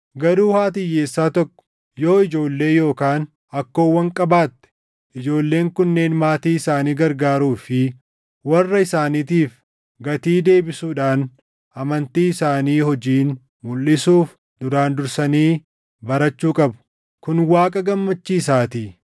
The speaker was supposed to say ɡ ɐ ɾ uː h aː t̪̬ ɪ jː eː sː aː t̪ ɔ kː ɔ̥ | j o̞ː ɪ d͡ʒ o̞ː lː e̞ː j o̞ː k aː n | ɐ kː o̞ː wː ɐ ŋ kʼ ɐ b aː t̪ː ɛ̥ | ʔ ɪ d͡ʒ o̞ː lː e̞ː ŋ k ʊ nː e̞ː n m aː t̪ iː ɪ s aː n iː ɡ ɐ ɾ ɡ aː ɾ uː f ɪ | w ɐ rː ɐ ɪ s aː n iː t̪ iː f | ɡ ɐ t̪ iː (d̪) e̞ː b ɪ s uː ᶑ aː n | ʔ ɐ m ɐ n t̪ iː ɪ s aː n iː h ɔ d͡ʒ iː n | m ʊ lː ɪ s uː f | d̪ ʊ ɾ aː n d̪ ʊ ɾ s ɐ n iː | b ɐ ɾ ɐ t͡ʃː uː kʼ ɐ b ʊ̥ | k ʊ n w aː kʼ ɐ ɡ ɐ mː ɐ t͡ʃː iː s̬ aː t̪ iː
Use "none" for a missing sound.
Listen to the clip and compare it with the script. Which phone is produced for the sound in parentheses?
d̪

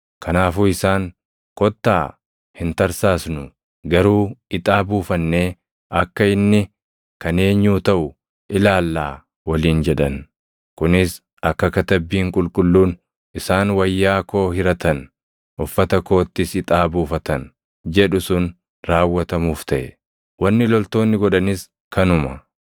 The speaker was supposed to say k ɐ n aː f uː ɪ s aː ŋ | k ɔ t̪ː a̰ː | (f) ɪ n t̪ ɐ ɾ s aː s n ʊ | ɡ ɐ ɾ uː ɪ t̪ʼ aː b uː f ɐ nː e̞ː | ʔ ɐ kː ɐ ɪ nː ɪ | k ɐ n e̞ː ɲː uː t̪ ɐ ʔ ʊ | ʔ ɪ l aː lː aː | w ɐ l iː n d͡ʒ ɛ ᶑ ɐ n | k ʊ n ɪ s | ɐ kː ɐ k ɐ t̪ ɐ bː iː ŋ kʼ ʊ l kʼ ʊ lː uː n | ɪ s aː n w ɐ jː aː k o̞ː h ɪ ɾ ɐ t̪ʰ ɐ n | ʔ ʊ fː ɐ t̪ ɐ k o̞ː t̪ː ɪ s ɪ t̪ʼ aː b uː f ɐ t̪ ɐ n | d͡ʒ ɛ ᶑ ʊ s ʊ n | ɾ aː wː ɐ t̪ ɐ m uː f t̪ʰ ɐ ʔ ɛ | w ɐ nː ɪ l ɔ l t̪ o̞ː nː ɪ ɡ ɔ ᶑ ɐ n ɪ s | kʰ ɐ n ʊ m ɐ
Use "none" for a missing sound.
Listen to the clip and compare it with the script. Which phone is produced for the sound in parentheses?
h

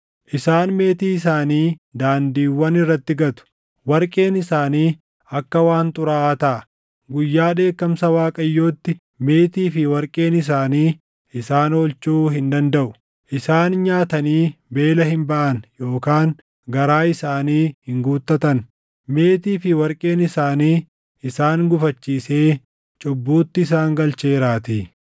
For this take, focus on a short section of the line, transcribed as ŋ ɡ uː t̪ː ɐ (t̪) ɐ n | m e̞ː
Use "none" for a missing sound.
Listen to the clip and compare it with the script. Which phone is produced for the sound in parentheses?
t̪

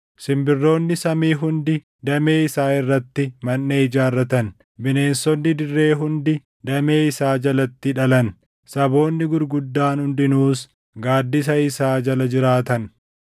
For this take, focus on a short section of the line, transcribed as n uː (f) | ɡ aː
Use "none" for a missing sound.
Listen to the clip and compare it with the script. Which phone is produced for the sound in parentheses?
s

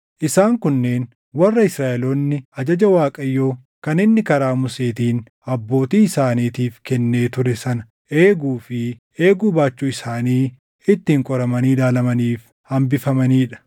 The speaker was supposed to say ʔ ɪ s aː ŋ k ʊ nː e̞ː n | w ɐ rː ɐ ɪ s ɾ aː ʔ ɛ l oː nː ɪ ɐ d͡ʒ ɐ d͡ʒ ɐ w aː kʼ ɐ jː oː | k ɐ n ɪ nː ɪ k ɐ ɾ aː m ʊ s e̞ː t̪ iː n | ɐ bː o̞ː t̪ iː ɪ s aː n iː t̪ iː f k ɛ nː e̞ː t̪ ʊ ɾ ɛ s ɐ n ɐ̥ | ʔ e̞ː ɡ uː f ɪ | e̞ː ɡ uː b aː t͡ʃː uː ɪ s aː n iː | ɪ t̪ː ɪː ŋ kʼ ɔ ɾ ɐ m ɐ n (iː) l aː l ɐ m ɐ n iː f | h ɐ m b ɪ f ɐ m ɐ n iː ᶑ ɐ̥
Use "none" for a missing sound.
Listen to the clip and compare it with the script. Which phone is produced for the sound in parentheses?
iː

